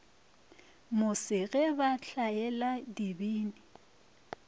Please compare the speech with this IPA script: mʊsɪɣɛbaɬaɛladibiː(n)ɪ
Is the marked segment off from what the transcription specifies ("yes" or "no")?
no